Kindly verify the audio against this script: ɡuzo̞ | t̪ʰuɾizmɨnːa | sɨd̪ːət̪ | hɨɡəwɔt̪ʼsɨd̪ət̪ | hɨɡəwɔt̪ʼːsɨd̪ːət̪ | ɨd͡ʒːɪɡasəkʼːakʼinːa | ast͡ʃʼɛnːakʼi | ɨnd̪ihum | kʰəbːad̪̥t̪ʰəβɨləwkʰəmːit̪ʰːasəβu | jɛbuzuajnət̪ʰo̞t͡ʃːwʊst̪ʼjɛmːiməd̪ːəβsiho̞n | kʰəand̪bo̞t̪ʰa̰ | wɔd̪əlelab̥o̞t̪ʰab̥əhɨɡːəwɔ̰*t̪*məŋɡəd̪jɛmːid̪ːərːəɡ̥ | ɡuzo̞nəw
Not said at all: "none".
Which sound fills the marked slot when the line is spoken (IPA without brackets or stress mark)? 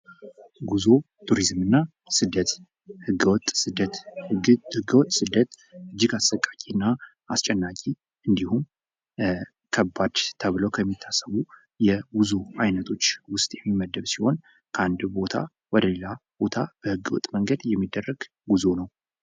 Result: t̪ʼ